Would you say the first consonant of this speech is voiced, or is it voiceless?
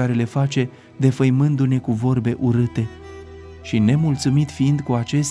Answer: voiced